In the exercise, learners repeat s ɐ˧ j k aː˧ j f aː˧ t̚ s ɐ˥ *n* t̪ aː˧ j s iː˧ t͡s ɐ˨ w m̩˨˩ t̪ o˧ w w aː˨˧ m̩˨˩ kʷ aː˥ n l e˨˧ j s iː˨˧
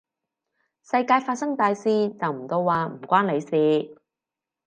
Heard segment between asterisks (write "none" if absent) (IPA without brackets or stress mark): ŋ